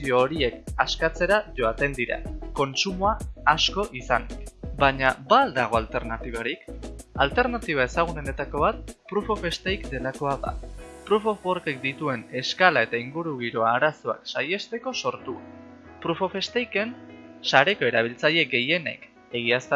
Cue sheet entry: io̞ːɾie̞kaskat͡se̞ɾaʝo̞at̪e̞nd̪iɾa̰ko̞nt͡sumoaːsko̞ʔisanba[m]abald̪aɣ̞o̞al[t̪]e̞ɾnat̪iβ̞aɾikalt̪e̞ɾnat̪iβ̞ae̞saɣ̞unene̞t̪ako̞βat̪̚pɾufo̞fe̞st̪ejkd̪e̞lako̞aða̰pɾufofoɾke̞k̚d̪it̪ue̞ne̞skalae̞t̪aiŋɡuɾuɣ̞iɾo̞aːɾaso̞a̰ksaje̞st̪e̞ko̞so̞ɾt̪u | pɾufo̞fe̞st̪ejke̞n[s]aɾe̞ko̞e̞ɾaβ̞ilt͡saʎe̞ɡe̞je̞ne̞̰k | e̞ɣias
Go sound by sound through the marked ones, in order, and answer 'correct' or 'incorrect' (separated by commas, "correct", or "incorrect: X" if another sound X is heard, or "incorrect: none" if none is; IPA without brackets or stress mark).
incorrect: ɲ, correct, correct